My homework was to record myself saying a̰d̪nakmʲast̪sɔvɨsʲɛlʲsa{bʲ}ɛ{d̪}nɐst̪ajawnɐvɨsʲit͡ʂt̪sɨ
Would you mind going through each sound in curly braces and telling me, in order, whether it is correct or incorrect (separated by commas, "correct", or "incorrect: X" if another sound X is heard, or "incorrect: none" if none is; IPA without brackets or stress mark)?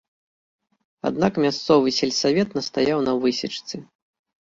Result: incorrect: vʲ, incorrect: t̪